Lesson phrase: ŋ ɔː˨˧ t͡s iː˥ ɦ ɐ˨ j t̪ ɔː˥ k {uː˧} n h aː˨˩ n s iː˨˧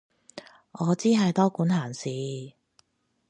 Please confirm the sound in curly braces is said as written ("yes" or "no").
no